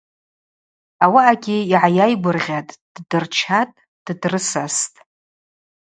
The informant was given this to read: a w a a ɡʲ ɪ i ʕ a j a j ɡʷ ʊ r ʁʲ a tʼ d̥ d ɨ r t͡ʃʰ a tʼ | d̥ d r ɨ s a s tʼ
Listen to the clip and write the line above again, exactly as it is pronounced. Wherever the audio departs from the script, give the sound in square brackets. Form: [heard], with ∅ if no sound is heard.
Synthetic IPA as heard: a w a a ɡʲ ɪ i ʕ a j a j ɡʷ ʊ r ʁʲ a tʼ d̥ d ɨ r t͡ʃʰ a tʼ | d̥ d r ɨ s a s tʼ